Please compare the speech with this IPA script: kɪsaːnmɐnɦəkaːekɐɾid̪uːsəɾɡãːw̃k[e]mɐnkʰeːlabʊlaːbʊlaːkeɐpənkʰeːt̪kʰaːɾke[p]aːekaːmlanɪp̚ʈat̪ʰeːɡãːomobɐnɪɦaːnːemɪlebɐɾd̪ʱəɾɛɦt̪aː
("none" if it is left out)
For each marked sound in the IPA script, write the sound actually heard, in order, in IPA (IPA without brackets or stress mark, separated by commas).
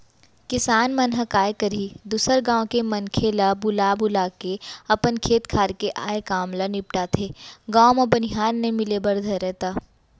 e, ʔ